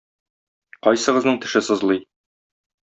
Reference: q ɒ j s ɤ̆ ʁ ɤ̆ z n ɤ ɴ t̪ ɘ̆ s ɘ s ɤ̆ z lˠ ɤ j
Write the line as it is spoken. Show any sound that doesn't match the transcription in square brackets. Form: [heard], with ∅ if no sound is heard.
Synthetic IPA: q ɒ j s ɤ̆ ʁ ɤ̆ z n ɤ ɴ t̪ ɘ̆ [ʃ] ɘ s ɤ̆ z lˠ ɤ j